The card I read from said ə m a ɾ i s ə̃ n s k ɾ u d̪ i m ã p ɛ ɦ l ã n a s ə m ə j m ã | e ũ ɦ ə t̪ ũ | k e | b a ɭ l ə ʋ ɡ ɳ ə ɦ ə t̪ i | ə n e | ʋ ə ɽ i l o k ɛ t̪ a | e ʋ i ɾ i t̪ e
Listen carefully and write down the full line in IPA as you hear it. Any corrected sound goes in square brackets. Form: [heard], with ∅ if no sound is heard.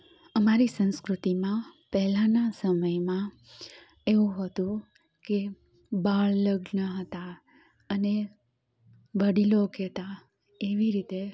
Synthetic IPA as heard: ə m a ɾ i s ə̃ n s k ɾ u [t̪] i m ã p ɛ ɦ l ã n a s ə m ə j m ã | e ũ ɦ ə t̪ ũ | k e | b a ɭ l ə [∅] ɡ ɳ ə ɦ ə t̪ [a] | ə n e | ʋ ə ɽ i l o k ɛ t̪ a | e ʋ i ɾ i t̪ e

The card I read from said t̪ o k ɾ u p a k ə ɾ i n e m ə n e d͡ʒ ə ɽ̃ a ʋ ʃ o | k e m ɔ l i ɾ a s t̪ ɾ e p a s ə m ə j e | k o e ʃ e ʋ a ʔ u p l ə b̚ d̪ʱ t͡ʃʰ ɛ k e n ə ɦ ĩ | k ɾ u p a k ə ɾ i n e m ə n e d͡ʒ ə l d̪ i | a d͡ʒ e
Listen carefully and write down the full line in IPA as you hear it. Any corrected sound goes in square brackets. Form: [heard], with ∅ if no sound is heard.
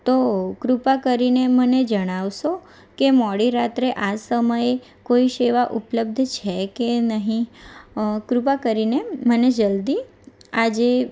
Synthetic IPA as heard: t̪ o k ɾ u p a k ə ɾ i n e m ə n e d͡ʒ ə ɽ̃ a ʋ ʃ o | k e m ɔ [ɽ] i ɾ a [∅] t̪ ɾ e [ʔ] a s ə m ə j e | k o [i] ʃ e ʋ a ʔ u p l ə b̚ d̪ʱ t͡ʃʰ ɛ k e n ə ɦ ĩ | k ɾ u p a k ə ɾ i n e m ə n e d͡ʒ ə l d̪ i | a d͡ʒ e

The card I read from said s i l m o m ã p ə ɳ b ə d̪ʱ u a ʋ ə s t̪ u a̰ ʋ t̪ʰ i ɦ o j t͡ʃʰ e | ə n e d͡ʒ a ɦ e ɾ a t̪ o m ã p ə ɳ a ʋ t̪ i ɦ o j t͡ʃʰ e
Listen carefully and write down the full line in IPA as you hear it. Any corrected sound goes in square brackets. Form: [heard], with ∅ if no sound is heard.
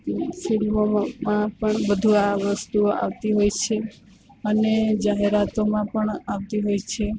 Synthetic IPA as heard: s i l m o m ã p ə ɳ b ə d̪ʱ u a ʋ ə s t̪ u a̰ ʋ [t̪] i ɦ o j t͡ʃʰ e | ə n e d͡ʒ a ɦ e ɾ a t̪ o m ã p ə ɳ a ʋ t̪ i ɦ o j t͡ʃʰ e

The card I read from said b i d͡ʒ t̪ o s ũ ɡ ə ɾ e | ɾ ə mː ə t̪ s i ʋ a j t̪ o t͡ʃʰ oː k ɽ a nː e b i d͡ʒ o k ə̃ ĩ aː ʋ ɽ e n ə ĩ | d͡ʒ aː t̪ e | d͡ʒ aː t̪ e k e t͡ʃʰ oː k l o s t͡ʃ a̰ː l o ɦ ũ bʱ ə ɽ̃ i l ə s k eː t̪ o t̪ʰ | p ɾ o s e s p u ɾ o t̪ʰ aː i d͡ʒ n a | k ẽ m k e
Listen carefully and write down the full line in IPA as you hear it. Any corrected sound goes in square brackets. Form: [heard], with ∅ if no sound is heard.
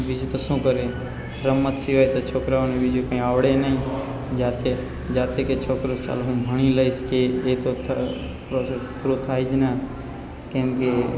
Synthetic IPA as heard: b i d͡ʒ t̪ o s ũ [k] ə ɾ e | ɾ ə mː ə t̪ s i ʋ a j t̪ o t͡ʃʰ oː k [ɾ] a [n] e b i d͡ʒ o k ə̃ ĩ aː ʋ ɽ e n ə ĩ | d͡ʒ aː t̪ e | d͡ʒ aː t̪ e k e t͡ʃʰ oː k [ɾ] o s t͡ʃ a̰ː l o ɦ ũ bʱ ə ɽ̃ i l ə s k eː t̪ o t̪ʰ | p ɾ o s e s p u ɾ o t̪ʰ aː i d͡ʒ n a | k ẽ m k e

